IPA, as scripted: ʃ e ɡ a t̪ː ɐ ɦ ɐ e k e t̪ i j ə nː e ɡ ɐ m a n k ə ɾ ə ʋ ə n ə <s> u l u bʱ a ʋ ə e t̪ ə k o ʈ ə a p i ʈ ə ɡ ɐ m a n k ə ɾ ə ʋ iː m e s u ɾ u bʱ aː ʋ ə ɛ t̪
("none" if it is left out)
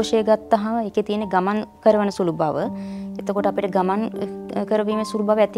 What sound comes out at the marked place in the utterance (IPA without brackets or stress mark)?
s